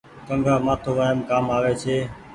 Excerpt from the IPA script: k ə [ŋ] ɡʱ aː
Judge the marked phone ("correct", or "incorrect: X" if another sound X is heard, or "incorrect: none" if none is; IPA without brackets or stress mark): correct